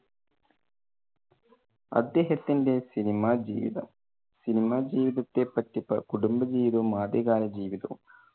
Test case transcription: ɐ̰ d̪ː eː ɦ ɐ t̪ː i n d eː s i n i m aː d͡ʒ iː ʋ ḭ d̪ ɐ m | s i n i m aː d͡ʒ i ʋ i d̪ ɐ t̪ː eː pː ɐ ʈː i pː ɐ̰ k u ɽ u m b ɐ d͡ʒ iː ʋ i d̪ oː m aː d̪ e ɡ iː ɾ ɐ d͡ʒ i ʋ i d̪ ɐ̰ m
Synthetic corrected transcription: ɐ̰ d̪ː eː ɦ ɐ t̪ː i n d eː s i n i m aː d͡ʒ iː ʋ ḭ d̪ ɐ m | s i n i m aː d͡ʒ iː ʋ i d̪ ɐ t̪ː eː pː ɐ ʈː i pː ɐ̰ k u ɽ u m b ɐ d͡ʒ iː ʋ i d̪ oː m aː d̪ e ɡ aː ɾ ɐ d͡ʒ iː ʋ i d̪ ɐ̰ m

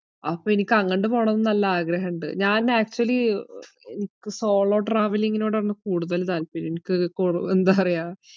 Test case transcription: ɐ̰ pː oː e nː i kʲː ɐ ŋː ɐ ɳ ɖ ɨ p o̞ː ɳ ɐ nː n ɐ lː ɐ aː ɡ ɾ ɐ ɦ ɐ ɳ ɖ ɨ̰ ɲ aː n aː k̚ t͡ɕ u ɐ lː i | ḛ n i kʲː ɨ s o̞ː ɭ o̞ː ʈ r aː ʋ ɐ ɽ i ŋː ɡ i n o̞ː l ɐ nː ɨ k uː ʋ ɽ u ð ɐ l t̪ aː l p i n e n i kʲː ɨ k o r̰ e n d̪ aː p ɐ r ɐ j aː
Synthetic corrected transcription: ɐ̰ pː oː e n i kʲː ɐ ŋː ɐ ɳ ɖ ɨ p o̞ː ɳ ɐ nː n ɐ lː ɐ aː ɡ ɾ ɐ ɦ ɐ ɳ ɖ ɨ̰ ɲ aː n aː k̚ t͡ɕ u ɐ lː i | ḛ n i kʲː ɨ s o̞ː ɭ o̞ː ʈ r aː ʋ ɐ l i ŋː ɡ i n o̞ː ɽ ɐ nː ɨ k uː ɽ u ð ɐ l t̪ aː l p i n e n i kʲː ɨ k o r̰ e n d̪ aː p ɐ r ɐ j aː

